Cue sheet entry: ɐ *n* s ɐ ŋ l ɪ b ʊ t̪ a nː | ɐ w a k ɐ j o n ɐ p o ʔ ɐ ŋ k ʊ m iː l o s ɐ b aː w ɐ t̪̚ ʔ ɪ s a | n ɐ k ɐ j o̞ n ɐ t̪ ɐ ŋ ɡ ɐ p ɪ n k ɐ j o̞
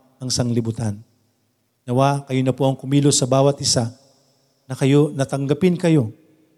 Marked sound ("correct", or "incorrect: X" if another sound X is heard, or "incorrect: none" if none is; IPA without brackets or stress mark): incorrect: ŋ